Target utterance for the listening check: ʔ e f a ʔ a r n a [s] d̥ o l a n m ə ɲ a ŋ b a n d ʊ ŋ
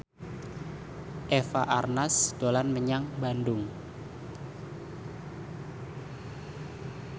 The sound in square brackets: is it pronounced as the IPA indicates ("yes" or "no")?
yes